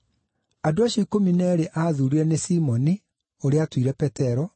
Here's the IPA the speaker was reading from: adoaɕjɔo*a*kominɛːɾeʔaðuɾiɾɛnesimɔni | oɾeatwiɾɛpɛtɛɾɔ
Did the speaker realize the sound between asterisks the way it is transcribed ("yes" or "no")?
no